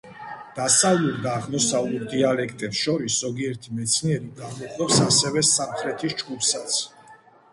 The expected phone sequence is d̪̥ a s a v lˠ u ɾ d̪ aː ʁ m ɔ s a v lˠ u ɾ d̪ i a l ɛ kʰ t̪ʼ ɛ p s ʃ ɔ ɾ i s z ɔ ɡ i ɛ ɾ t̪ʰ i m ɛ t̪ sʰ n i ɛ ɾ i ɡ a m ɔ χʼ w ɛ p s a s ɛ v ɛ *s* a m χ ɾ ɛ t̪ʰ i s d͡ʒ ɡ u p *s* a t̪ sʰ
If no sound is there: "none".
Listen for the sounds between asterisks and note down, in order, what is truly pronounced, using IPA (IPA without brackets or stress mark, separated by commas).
s, s